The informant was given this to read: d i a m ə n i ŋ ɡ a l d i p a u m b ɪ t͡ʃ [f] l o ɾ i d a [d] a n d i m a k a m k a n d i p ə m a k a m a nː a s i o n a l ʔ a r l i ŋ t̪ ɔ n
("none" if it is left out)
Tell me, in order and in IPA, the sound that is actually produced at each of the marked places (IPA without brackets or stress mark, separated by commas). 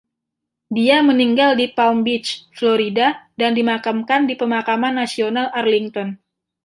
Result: f, d